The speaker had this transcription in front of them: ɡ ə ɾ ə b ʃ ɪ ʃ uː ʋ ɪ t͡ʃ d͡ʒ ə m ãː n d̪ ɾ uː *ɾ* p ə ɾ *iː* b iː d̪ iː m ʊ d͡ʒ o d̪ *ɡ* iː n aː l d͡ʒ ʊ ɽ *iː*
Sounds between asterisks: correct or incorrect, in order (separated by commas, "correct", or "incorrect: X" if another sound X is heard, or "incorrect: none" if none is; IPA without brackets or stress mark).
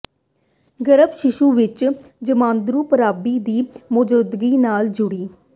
incorrect: none, incorrect: aː, correct, correct